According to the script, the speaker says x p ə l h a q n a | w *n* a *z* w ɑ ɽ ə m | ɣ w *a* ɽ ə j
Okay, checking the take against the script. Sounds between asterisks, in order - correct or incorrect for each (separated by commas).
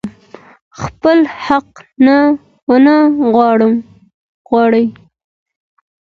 correct, incorrect, incorrect